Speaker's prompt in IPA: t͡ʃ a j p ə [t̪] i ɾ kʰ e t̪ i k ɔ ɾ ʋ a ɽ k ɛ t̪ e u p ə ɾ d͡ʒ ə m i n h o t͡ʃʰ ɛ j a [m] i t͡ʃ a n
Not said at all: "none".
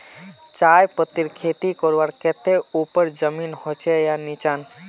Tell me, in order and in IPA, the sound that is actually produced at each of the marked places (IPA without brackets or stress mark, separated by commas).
t̪, n